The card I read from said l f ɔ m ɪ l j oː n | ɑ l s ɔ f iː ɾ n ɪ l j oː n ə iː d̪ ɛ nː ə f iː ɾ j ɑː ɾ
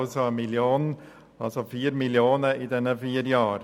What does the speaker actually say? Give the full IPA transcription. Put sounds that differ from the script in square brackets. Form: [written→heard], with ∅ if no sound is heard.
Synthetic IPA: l [f→s] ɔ m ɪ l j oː n | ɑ l s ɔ f iː ɾ [n→m] ɪ l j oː n ə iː d̪ ɛ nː ə f iː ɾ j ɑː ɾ